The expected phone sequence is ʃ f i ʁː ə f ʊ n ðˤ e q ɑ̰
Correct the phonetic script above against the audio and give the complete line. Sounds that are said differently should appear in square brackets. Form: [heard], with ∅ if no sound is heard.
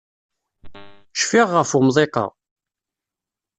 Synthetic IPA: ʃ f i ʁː ə f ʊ [m] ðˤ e q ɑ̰